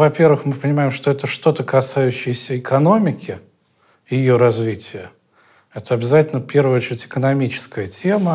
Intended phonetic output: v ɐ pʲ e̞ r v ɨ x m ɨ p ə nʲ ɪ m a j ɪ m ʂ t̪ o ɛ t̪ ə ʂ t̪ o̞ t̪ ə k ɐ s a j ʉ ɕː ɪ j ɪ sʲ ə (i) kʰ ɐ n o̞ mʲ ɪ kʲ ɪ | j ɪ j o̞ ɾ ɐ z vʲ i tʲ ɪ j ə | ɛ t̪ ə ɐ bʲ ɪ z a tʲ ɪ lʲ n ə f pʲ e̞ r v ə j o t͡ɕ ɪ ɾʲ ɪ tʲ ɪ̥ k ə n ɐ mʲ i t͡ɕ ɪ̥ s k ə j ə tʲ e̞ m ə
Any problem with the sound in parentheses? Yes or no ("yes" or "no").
yes